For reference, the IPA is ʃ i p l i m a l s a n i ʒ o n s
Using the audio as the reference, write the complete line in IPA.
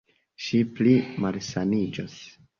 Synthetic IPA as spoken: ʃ i p l i m a l s a n i d͡ʒ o s